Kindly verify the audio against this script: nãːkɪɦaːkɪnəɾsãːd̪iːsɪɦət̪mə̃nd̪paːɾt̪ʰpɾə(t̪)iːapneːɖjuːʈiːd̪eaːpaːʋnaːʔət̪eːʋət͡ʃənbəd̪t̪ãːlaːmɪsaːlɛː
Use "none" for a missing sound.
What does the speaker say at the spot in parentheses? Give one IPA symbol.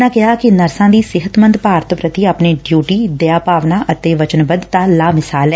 t̪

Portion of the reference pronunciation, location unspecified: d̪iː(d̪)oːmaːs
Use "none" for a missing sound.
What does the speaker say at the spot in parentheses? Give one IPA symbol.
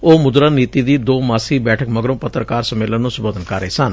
d̪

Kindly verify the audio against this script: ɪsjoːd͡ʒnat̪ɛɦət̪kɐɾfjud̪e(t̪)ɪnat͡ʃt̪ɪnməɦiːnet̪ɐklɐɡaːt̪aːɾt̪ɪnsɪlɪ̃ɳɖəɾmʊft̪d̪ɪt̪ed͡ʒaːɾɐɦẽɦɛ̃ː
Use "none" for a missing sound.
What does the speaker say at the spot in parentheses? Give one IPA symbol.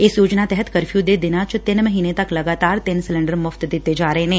d̪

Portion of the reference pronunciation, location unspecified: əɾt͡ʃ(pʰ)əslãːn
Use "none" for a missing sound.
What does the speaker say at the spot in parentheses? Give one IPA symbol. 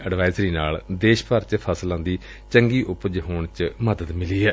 pʰ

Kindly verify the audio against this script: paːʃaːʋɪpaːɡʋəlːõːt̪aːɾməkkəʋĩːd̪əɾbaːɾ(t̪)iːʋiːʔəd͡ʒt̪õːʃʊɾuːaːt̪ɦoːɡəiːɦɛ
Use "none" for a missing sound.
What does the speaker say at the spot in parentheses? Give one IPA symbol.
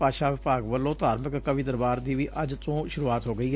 d̪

